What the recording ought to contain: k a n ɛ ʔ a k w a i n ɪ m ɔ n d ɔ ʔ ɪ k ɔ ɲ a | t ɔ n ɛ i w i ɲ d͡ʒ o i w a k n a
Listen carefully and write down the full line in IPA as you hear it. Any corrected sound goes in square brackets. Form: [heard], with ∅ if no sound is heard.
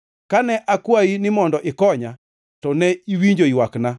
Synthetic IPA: k a n ɛ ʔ a k w a i n ɪ m ɔ n d ɔ ʔ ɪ k ɔ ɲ a | t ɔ n ɛ i w i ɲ d͡ʒ o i w a k n a